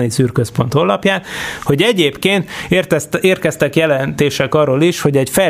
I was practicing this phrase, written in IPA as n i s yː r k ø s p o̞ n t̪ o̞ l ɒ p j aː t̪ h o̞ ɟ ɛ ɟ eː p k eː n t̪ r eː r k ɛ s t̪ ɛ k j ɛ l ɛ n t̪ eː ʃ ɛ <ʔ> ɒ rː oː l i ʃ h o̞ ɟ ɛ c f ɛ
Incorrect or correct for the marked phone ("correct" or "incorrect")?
incorrect